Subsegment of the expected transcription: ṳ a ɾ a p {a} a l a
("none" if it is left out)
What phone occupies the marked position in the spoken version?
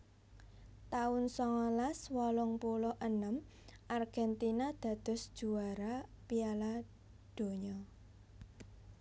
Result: i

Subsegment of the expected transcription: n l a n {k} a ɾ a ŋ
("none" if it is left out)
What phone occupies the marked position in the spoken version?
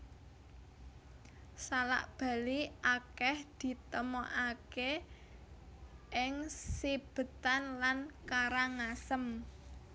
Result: k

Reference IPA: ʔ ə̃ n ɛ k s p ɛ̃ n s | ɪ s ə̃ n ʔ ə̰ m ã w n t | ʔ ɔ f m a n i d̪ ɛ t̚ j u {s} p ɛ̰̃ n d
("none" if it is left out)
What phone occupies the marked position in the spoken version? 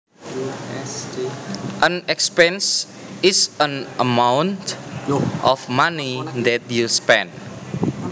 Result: s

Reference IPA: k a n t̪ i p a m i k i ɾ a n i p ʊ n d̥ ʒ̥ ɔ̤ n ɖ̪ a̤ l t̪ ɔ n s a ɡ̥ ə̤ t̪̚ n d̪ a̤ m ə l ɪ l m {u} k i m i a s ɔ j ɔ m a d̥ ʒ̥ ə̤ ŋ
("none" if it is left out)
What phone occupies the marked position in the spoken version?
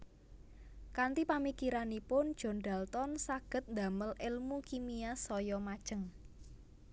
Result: u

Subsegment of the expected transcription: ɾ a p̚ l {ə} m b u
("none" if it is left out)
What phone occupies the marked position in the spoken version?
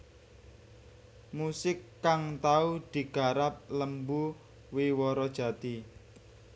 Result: ə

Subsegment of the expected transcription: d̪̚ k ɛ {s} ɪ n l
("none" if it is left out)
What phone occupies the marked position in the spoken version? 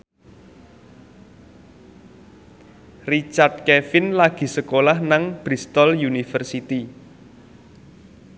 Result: f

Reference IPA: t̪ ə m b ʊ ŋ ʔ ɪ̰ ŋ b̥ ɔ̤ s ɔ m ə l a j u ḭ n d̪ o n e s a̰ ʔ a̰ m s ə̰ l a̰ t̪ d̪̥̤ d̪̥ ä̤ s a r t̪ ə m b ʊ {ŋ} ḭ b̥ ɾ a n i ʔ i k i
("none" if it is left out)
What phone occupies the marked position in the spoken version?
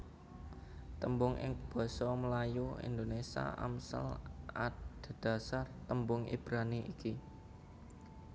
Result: ŋ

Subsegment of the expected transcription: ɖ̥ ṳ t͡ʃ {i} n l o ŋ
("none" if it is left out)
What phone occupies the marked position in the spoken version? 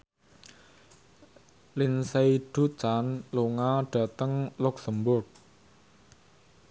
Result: a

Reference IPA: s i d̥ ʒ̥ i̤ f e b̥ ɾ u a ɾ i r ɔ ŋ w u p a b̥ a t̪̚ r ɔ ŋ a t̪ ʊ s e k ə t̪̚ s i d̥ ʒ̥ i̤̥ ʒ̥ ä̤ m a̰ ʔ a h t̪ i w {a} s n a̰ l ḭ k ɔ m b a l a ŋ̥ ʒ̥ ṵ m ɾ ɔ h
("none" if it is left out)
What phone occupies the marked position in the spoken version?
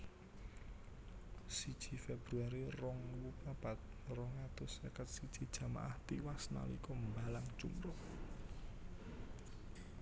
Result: a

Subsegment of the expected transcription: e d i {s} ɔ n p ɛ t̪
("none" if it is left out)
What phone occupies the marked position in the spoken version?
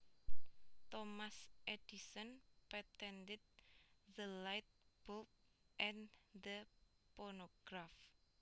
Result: s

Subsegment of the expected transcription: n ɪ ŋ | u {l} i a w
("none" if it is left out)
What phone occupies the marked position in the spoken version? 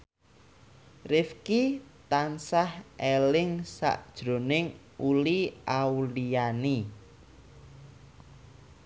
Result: l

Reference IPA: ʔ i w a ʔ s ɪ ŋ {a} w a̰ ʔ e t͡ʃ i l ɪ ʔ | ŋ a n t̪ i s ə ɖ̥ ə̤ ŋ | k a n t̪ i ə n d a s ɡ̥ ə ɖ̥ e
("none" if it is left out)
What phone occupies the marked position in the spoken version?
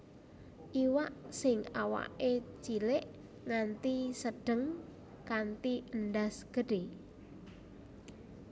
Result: a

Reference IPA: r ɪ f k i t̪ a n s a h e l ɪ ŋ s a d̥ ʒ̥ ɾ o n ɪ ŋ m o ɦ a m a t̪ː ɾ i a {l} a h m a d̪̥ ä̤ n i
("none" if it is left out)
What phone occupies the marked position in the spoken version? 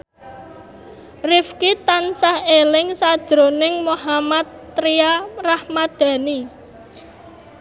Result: r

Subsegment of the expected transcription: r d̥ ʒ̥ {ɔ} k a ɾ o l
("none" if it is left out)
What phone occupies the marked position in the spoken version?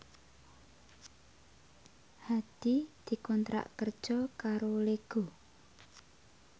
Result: ɔ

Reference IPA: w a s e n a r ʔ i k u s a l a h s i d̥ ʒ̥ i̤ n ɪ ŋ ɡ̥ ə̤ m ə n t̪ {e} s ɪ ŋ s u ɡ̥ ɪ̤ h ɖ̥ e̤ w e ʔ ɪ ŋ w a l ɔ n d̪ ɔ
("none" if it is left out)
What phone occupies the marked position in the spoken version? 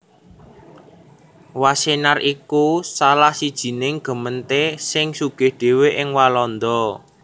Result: e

